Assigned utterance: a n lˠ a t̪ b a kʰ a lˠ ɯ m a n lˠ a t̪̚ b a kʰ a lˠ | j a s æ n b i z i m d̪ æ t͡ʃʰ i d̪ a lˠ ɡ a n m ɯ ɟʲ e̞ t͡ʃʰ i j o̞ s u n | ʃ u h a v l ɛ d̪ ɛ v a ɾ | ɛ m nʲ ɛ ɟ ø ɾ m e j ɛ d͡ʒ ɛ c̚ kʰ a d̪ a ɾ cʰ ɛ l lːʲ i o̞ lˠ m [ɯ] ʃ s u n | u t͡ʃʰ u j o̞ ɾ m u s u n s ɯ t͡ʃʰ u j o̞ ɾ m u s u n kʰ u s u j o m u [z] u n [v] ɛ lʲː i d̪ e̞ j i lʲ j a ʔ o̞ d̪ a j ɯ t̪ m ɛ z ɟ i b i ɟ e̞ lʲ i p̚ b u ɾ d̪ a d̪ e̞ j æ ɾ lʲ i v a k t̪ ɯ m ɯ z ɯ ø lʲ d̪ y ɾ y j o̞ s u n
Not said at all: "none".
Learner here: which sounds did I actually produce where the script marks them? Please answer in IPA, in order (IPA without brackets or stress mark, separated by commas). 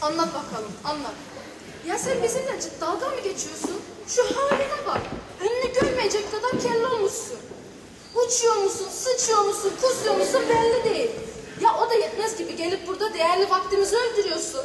u, s, b